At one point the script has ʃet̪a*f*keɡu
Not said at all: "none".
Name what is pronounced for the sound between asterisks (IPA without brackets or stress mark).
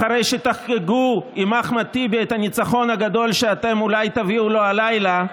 χ